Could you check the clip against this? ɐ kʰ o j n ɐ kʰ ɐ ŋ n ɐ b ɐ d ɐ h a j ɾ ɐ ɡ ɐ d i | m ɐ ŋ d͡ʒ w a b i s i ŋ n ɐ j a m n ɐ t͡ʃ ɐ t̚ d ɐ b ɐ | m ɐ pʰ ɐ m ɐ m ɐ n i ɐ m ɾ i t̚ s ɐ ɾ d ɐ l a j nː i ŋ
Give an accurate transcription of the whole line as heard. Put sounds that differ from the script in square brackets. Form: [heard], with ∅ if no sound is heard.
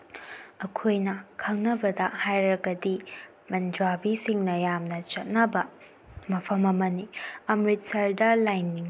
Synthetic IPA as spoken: ɐ kʰ o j n ɐ kʰ ɐ ŋ n ɐ b ɐ d ɐ h a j ɾ ɐ ɡ ɐ d i | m ɐ [n] d͡ʒ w a b i s i ŋ n ɐ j a m n ɐ t͡ʃ ɐ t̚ [n] ɐ b ɐ | m ɐ pʰ ɐ m ɐ m ɐ n i ɐ m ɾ i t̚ s ɐ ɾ d ɐ l a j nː i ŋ